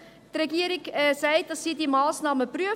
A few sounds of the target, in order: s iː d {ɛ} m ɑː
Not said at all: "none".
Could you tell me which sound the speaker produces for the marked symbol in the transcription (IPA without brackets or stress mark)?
i